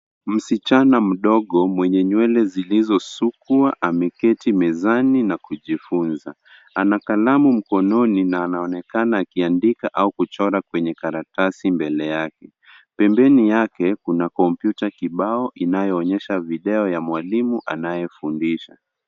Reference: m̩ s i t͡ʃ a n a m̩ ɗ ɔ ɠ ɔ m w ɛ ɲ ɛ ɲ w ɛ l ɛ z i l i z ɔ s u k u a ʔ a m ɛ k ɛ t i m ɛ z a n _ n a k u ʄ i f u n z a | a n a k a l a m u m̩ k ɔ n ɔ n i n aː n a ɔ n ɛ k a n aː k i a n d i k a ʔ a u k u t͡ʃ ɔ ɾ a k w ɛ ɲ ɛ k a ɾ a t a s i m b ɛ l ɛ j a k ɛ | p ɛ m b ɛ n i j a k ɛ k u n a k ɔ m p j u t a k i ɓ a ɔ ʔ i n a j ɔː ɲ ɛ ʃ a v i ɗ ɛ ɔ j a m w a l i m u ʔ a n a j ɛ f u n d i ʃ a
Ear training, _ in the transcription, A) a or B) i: B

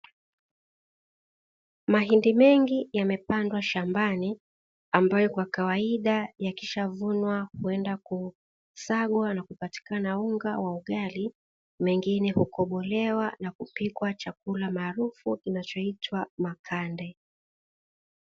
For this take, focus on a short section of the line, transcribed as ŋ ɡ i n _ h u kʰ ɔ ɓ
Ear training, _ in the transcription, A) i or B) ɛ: B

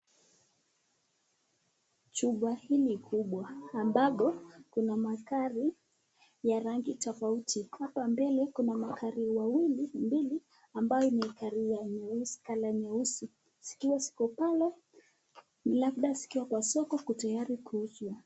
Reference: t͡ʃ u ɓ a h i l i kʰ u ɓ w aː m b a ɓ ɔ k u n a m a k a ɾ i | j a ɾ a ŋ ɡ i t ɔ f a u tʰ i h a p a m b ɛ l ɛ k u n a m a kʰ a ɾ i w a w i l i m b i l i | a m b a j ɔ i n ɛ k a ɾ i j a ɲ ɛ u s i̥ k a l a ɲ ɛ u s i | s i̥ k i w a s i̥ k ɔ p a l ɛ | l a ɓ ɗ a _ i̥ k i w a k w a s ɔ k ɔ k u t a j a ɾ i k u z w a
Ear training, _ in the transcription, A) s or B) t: A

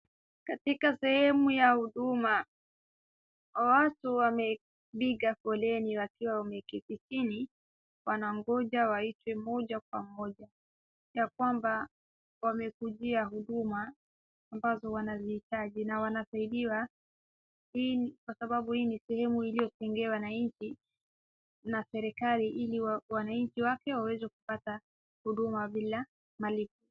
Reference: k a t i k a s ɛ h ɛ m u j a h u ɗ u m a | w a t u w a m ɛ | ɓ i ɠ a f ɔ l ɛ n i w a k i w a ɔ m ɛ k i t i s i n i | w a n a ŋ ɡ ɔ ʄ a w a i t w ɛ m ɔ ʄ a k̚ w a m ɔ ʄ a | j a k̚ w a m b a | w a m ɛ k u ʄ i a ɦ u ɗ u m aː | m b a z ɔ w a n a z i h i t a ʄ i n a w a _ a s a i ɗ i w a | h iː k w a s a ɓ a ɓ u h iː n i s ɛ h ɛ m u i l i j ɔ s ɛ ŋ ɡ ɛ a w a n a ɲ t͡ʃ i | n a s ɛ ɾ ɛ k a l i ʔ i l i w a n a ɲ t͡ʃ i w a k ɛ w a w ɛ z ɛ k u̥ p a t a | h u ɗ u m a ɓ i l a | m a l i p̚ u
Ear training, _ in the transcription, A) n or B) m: A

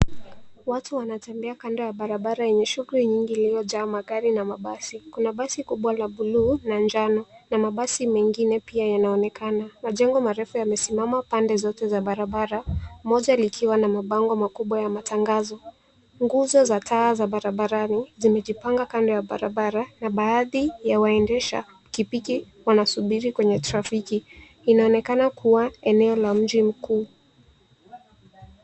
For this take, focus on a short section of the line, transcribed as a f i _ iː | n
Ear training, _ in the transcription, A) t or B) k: B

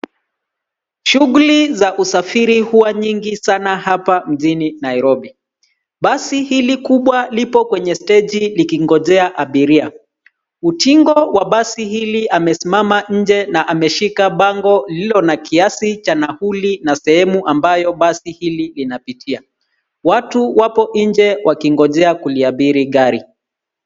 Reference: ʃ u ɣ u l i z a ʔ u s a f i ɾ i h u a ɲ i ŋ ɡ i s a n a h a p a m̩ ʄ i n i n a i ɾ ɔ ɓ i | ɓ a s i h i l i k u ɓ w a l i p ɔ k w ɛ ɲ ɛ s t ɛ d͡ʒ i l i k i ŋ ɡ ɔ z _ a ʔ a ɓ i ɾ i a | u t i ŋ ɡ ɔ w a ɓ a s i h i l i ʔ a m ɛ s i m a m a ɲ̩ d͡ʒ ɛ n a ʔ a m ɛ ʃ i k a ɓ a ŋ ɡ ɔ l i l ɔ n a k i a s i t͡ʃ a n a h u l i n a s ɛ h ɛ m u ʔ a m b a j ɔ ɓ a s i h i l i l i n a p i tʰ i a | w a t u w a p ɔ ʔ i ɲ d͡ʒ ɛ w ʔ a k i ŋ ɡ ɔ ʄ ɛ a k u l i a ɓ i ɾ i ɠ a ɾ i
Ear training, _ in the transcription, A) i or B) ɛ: B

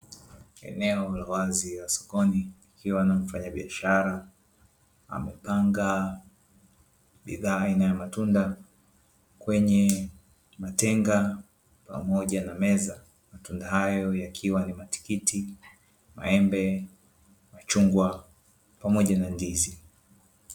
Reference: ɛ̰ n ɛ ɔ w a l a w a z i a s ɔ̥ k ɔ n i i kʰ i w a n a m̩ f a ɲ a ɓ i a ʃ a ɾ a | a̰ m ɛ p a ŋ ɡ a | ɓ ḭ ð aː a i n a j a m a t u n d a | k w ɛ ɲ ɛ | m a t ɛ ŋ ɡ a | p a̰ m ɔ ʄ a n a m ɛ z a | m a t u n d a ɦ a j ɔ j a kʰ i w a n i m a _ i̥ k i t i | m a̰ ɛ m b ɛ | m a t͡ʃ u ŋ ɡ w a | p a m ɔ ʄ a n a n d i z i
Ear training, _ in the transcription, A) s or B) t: B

